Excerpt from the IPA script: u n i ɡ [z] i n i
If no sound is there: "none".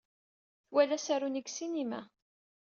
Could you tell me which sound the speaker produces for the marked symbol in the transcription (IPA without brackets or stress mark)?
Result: s